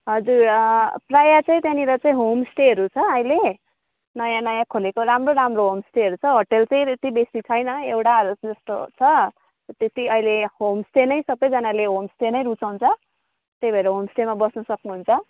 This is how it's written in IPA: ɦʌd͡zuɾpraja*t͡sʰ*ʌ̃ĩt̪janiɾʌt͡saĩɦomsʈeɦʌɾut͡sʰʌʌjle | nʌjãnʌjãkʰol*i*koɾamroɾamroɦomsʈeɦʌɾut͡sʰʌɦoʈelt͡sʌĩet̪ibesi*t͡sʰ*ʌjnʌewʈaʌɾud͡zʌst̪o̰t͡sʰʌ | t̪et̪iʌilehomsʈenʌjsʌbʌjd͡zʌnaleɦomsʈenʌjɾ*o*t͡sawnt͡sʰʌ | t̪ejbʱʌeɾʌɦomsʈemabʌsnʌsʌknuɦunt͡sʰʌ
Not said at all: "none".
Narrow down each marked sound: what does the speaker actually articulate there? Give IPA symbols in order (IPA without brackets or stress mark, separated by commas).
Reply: t͡s, e, t͡sʰ, u